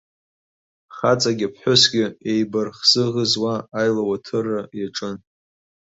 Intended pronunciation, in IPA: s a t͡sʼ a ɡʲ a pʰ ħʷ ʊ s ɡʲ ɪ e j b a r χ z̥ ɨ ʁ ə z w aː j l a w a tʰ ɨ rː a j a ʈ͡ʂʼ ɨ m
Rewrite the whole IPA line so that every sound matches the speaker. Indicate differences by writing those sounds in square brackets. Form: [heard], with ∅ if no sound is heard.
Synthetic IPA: [χ] a t͡sʼ a ɡʲ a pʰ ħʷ ʊ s ɡʲ ɪ e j b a r χ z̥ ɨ ʁ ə z w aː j l a w a tʰ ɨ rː a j a ʈ͡ʂʼ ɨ [n]